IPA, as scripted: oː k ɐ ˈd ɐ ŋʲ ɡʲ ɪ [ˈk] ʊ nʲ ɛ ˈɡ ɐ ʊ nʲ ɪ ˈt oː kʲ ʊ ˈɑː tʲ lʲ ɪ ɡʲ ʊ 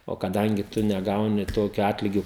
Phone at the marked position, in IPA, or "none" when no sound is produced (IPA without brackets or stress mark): t